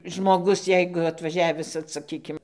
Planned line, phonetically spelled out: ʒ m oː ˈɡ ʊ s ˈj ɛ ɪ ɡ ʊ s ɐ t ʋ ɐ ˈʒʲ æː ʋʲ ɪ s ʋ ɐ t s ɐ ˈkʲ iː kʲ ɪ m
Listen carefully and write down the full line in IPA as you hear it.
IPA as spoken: ʒ m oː ˈɡ ʊ s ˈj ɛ ɪ ɡ ʊ ɐ t ʋ ɐ ˈʒʲ æː ʋʲ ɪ s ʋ ɐ t s ɐ ˈkʲ iː kʲ ɪ m